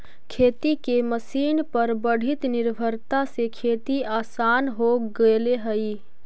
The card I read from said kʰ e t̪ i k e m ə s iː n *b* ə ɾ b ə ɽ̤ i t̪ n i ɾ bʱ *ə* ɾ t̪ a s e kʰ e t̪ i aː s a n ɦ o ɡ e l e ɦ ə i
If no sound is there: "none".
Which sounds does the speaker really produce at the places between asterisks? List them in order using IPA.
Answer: p, ə

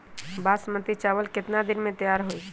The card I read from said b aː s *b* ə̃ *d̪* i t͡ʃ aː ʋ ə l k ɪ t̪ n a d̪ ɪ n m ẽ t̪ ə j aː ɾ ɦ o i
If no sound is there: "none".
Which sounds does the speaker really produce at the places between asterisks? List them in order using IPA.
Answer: m, t̪

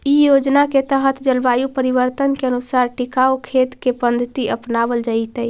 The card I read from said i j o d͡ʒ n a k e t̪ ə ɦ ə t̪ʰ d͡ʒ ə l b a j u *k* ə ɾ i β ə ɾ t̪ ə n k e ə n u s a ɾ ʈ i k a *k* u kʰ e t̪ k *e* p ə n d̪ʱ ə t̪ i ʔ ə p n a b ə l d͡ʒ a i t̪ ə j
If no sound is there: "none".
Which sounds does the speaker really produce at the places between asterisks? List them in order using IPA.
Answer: p, none, e

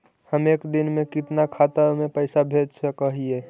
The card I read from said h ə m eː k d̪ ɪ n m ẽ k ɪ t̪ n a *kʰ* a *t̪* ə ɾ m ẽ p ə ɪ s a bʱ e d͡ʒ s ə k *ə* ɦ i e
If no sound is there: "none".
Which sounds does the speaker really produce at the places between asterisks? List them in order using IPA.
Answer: kʰ, t̪, ə

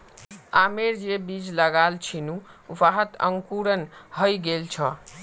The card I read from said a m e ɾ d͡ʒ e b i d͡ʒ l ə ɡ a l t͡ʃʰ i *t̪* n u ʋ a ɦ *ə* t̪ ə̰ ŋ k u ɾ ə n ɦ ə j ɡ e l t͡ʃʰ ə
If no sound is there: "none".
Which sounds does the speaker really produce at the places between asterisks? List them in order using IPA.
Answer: none, ə

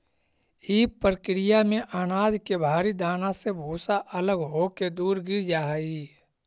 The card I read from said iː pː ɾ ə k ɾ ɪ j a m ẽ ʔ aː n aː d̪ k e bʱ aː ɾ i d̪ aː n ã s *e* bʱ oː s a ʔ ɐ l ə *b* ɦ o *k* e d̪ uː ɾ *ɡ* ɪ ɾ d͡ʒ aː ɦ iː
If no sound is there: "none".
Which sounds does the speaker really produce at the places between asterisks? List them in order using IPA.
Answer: e, ɡ, k, ɡ

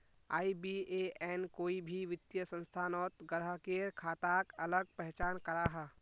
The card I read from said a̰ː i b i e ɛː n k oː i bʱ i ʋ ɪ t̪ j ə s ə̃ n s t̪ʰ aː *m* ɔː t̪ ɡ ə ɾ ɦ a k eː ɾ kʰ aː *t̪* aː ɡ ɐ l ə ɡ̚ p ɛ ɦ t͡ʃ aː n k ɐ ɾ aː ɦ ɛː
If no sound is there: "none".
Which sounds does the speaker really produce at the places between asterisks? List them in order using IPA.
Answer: n, t̪

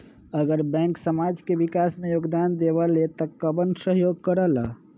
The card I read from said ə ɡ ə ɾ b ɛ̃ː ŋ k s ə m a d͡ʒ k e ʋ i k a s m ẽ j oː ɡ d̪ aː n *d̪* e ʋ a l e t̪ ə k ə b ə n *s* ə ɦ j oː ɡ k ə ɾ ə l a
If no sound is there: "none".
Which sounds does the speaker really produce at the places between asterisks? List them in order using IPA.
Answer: d̪, s

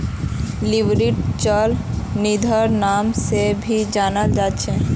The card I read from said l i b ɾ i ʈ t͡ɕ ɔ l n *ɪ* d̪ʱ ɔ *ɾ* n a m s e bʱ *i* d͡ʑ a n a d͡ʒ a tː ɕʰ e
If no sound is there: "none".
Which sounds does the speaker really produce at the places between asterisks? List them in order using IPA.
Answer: i, ɾ, i

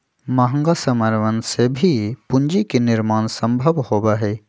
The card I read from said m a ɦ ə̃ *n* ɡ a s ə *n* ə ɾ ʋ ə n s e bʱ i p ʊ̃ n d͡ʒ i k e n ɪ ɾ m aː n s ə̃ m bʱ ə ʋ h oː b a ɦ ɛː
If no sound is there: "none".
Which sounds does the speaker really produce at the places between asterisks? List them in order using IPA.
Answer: ŋ, m

